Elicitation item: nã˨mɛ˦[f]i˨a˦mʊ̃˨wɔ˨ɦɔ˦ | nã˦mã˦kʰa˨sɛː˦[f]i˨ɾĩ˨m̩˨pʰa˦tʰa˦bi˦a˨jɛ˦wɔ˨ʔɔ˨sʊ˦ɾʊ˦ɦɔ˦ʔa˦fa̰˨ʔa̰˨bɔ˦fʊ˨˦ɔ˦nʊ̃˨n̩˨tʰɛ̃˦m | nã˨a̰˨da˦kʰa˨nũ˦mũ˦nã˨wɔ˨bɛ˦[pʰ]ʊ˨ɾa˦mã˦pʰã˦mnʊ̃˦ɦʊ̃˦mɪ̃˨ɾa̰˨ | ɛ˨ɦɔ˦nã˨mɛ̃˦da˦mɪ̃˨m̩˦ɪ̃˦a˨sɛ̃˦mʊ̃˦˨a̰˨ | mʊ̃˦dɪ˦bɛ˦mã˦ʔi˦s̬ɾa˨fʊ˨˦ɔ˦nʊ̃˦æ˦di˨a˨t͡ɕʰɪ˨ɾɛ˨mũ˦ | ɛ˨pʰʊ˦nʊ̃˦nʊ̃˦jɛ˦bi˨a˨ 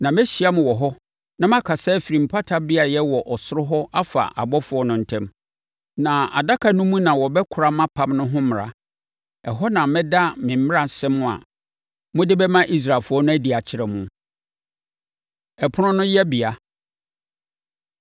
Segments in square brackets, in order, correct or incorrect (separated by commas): incorrect, correct, incorrect